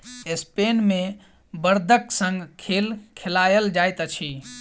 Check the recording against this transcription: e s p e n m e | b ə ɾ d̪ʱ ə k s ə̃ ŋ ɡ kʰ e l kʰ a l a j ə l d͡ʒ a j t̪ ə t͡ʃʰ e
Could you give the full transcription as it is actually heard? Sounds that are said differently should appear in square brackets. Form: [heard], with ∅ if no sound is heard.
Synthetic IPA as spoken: e s p e n m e | b ə ɾ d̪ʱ ə k s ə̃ ŋ ɡ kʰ e l kʰ [e] l a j ə l d͡ʒ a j t̪ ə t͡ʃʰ [i]